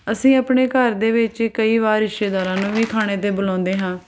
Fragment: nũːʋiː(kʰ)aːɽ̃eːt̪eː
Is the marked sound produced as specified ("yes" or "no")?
yes